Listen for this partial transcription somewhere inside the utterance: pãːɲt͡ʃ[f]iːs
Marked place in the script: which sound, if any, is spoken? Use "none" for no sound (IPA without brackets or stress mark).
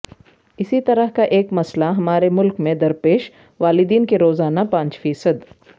f